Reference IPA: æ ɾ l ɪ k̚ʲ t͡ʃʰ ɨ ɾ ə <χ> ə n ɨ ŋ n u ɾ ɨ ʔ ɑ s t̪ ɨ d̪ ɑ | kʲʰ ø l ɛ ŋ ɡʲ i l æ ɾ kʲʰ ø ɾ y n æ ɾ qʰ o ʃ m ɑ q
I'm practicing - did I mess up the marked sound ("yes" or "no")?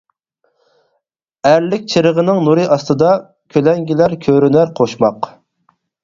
yes